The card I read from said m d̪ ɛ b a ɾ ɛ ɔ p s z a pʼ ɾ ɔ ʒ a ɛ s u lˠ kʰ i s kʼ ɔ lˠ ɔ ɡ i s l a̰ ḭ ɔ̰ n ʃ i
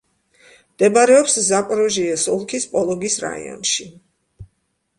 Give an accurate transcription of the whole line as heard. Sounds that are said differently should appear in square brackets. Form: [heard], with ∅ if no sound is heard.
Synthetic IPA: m d̪ ɛ b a ɾ ɛ ɔ p s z a pʼ ɾ ɔ ʒ [i] ɛ s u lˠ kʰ i s [pʼ] ɔ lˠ ɔ ɡ i s [ɾ] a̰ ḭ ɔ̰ n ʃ i